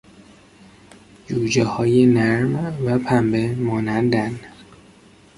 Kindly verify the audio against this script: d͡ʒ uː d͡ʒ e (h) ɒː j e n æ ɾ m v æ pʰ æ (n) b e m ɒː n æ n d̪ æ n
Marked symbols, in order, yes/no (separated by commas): yes, no